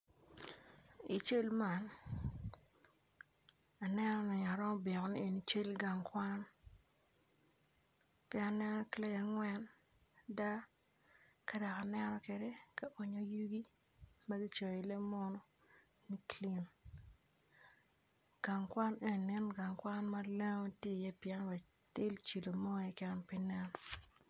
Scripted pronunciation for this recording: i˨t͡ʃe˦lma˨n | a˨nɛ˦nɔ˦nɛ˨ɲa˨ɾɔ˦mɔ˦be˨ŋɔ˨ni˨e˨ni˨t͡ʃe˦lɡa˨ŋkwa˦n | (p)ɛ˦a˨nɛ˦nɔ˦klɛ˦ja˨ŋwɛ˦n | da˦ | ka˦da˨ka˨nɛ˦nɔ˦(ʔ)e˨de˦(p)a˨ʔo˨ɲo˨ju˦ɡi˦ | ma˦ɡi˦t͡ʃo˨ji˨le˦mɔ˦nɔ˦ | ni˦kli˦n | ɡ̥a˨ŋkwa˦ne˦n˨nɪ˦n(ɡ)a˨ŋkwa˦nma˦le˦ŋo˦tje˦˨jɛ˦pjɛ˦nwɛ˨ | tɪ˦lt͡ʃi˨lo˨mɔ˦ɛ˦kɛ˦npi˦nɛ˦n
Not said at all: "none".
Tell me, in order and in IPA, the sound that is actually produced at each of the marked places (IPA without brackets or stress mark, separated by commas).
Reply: p, k, k, ɡ